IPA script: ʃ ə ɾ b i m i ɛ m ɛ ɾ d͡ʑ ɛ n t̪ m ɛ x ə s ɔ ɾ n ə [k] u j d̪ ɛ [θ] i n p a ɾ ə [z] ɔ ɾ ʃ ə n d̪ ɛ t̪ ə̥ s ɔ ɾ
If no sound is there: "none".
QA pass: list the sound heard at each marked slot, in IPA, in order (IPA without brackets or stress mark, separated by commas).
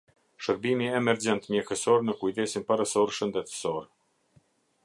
k, s, s